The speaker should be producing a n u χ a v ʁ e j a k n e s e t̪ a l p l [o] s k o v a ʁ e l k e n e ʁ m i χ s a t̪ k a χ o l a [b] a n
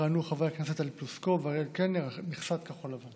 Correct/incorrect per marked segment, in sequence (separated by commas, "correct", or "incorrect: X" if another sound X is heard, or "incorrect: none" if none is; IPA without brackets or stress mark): incorrect: u, incorrect: v